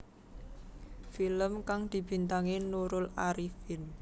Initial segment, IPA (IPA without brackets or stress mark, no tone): f